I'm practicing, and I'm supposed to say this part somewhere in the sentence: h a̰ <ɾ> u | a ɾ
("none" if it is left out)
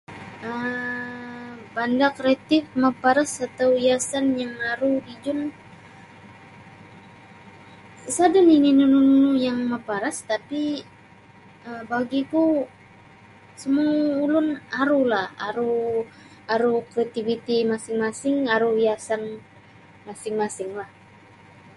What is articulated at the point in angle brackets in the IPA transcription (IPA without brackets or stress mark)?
ɾ